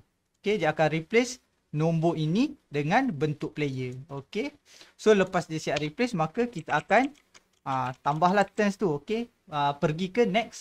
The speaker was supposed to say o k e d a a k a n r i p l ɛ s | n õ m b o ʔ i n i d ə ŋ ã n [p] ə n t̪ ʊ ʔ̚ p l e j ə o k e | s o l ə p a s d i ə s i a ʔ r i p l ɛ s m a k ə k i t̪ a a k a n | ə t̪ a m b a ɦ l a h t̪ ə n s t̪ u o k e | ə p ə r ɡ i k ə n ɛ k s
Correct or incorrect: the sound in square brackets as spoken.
incorrect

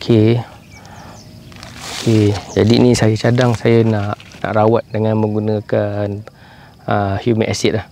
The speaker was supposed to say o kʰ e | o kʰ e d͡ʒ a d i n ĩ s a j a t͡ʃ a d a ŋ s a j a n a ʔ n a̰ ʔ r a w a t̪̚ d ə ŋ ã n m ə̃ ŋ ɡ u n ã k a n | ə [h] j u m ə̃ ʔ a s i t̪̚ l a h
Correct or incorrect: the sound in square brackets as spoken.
correct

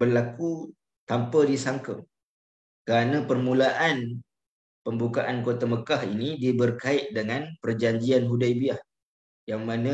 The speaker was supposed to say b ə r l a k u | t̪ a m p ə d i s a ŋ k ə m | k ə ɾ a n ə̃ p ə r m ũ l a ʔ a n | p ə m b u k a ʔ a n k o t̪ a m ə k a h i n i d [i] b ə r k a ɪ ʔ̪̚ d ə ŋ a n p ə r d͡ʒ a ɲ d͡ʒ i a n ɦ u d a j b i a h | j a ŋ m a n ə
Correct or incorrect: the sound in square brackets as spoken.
correct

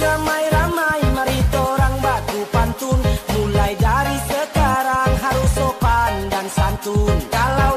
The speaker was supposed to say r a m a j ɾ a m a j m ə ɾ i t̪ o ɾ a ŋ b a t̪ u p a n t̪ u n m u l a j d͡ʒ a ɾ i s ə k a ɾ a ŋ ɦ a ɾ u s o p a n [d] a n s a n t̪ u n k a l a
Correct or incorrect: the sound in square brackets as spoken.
correct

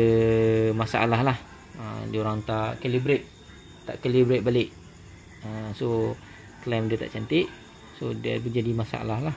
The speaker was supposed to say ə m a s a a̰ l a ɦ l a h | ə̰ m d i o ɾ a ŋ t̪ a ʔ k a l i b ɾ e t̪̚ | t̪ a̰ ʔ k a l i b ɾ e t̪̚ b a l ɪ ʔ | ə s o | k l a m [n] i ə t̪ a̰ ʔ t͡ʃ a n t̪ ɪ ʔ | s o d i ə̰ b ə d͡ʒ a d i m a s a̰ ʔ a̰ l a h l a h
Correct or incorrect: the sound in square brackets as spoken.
incorrect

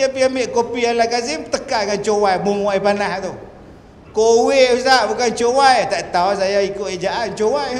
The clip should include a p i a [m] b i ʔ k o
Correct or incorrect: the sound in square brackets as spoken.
correct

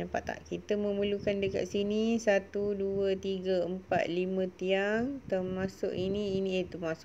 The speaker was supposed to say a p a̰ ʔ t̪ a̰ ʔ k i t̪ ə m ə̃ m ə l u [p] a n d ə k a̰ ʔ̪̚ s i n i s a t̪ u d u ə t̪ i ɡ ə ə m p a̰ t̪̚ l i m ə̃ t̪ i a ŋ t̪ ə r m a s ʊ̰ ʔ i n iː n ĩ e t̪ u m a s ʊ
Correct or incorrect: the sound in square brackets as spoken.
incorrect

